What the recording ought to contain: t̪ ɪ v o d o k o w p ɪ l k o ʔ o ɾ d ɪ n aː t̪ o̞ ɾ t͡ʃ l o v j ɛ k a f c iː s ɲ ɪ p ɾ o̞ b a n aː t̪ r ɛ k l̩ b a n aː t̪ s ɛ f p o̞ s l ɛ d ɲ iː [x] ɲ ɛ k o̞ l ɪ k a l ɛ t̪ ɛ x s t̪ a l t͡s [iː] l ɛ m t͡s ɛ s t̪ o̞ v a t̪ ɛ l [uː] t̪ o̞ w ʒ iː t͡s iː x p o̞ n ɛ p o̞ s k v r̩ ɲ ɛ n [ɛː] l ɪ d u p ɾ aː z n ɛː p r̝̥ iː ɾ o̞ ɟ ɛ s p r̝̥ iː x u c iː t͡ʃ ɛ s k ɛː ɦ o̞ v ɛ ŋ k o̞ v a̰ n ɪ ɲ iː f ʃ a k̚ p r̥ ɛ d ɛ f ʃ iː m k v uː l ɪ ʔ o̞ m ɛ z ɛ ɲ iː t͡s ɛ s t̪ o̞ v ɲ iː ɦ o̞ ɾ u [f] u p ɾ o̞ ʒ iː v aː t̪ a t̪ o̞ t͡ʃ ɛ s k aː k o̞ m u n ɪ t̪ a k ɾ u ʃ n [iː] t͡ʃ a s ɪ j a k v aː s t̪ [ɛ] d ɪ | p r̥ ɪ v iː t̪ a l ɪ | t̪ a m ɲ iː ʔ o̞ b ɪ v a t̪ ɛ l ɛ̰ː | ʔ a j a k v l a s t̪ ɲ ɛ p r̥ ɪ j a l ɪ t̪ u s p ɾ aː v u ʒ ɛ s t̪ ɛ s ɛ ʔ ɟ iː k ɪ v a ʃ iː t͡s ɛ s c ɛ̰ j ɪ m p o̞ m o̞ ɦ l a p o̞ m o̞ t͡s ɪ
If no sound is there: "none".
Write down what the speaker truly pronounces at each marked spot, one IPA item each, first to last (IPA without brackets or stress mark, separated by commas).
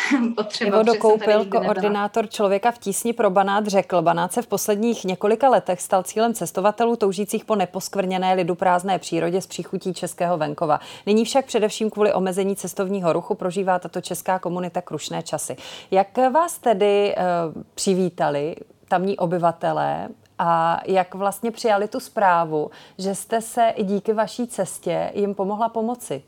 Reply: x, iː, uː, ɛː, x, ɛː, ɛ